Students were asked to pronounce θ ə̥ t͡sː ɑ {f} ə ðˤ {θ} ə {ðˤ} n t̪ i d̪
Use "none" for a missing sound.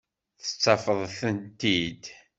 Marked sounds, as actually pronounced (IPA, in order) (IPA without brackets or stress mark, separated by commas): f, θ, none